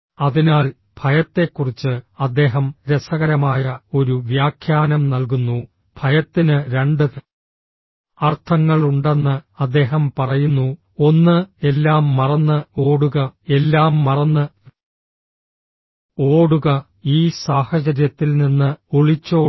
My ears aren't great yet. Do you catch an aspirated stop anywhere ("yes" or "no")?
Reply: yes